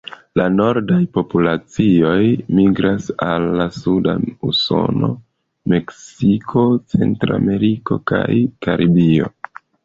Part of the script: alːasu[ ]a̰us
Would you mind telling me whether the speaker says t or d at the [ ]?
d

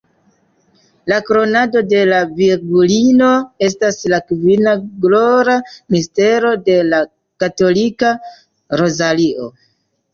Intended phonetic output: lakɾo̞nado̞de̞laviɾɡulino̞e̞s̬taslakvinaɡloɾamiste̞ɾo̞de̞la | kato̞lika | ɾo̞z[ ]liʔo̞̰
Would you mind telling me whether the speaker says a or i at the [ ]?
a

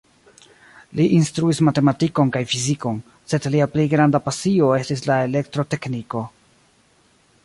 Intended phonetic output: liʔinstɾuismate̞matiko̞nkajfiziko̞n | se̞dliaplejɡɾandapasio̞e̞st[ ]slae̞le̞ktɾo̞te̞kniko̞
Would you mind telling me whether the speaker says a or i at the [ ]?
i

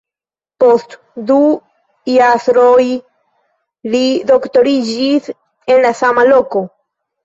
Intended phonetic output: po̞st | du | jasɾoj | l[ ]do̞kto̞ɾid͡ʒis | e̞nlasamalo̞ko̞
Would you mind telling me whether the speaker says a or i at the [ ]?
i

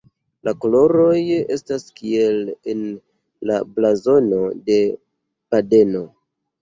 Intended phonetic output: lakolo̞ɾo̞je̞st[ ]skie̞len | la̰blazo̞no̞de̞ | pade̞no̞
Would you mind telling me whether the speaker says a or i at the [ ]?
a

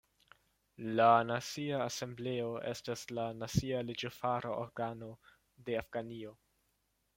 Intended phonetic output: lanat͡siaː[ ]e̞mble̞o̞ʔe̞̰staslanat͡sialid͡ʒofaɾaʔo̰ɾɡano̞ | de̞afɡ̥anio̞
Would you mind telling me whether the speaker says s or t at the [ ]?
s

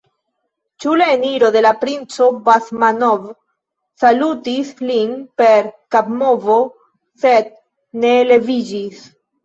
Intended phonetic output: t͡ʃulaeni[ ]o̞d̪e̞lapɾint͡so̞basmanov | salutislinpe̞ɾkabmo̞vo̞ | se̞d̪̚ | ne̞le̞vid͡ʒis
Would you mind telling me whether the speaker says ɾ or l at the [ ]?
ɾ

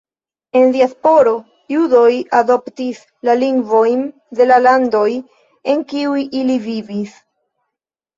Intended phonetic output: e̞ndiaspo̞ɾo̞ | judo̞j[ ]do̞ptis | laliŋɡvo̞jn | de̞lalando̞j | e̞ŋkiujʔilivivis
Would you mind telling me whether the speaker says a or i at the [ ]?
a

